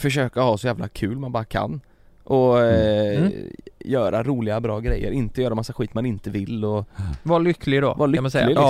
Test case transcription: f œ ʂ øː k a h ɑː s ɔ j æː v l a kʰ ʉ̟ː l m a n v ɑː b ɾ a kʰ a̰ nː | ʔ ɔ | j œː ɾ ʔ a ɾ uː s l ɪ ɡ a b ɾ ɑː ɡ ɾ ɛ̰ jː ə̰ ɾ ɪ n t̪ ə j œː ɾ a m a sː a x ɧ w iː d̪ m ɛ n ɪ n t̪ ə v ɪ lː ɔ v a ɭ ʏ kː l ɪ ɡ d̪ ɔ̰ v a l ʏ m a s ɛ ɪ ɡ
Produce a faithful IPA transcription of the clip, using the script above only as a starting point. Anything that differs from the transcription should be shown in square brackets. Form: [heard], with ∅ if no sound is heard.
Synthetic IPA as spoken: f œ ʂ øː k a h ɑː s ɔ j æː v l a kʰ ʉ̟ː l m a n [b] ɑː [∅] ɾ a kʰ a̰ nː | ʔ ɔ | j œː ɾ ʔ a ɾ uː [∅] l ɪ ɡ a b ɾ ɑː ɡ ɾ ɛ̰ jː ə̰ ɾ ɪ n t̪ ə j œː ɾ a m a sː a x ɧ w iː [t̪] m [a] n ɪ n t̪ ə v ɪ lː ɔ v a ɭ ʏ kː l ɪ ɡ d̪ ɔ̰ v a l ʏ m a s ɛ ɪ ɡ